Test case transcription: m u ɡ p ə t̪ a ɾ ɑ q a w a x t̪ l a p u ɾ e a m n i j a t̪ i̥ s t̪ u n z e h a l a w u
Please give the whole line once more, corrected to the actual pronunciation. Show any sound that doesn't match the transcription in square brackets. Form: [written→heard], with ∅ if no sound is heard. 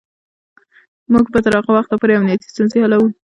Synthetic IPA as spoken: m u ɡ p ə t̪ a ɾ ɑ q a w a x t̪ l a p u ɾ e a m n i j a t̪ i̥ s t̪ u n z e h a l a w u